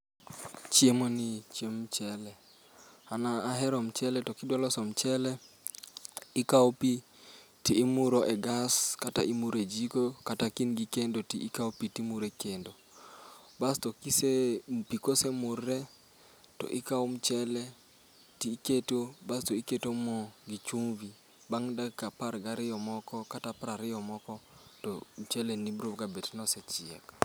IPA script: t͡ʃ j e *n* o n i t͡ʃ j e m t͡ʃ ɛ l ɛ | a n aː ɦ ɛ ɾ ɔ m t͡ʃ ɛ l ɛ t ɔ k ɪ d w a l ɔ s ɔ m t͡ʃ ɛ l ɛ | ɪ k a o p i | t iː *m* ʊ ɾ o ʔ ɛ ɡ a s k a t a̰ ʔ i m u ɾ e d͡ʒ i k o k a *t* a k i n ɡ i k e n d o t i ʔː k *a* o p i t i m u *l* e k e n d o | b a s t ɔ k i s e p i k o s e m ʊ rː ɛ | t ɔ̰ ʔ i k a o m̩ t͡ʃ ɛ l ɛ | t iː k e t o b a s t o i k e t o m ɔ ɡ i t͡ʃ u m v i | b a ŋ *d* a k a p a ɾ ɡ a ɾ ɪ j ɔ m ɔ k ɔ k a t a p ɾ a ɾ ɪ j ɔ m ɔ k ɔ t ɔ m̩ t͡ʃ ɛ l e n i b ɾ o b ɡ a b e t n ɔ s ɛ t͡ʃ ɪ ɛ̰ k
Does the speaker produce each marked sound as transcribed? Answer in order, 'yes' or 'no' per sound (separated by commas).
no, yes, yes, yes, no, yes